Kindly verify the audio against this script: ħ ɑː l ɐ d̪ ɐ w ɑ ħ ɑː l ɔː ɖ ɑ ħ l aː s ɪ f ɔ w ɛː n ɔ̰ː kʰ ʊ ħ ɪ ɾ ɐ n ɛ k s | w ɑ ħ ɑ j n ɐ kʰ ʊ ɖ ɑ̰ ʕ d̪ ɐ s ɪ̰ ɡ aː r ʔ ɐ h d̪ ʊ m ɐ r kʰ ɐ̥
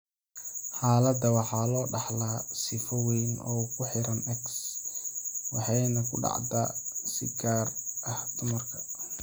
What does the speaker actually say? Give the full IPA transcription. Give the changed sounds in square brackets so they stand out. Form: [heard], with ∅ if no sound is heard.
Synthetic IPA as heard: ħ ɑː l ɐ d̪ ɐ w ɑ ħ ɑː l ɔː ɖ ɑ ħ l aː s ɪ f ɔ w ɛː n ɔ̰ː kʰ ʊ ħ ɪ ɾ ɐ n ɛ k s | w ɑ ħ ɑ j n ɐ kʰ ʊ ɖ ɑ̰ ʕ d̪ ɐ s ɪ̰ ɡ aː r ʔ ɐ h d̪ ʊ m ɐ r kʰ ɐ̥